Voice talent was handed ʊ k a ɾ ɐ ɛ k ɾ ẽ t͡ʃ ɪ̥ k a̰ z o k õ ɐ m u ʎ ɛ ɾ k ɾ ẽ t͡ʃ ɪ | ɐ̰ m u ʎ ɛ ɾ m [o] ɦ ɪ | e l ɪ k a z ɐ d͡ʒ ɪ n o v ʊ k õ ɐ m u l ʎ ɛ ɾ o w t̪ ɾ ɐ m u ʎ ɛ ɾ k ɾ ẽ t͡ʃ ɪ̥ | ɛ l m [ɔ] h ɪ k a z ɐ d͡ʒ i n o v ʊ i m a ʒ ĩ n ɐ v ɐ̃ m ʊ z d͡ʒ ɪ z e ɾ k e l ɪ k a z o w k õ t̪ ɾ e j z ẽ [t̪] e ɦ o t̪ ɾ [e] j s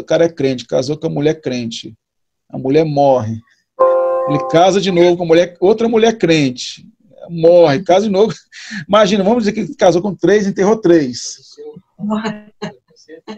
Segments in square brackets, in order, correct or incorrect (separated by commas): incorrect, correct, correct, correct